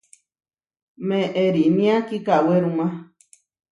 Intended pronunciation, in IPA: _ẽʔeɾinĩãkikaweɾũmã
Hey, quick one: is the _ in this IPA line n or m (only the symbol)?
m